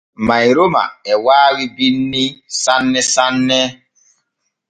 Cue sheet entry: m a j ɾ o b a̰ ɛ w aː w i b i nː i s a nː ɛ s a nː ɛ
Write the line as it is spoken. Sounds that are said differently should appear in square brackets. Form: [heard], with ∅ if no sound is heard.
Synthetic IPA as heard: m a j ɾ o [m] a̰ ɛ w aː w i b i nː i s a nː ɛ s a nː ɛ